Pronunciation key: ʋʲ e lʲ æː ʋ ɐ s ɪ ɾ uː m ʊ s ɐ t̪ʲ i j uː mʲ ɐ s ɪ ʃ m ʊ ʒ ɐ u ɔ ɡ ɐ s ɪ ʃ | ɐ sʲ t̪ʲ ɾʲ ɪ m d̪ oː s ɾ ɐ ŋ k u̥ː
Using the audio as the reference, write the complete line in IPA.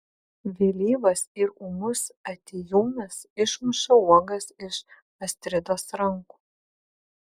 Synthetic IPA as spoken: ʋʲ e lʲ iː ʋ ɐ s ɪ ɾ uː m ʊ s ɐ t̪ʲ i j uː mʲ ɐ s ɪ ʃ m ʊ ʃ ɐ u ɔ ɡ ɐ s ɪ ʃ | ɐ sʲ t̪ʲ ɾʲ ɪ d̪ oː s ɾ ɐ ŋ k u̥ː